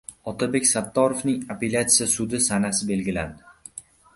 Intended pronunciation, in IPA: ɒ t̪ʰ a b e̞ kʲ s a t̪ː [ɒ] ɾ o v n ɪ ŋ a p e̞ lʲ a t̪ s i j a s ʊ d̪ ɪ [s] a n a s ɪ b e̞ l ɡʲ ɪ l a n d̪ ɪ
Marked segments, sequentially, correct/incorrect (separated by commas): correct, correct